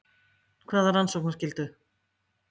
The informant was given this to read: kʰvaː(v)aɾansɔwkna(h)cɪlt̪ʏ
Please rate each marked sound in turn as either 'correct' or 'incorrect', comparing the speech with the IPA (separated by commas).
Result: incorrect, incorrect